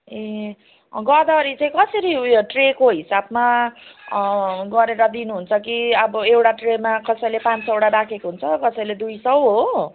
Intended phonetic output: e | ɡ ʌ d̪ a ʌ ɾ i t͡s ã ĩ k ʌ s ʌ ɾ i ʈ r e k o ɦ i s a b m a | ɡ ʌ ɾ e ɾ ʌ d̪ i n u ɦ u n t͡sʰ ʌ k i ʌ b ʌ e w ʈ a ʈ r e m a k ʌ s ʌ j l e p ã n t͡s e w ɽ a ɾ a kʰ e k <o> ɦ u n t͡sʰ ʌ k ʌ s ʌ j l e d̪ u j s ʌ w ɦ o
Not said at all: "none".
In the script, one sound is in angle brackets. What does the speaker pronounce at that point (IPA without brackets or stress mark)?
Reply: o